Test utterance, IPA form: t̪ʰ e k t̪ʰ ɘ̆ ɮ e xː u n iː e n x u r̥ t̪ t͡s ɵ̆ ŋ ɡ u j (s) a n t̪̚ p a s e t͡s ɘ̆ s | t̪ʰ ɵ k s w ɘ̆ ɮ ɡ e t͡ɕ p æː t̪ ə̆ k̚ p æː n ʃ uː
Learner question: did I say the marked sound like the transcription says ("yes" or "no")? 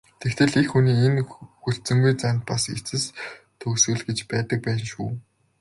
no